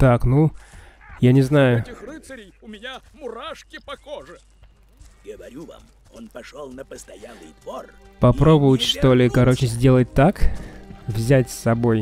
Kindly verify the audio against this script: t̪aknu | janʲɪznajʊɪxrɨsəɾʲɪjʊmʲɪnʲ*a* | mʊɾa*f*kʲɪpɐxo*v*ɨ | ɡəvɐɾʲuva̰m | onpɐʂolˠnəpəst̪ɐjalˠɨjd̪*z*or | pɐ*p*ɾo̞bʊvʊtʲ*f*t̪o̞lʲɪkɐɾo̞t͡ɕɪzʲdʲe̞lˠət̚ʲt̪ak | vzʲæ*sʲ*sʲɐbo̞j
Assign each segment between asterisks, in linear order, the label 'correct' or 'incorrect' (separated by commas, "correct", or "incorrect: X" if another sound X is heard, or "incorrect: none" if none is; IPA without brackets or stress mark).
correct, incorrect: ʂ, incorrect: ʐ, incorrect: v, correct, incorrect: ʂ, incorrect: tʲ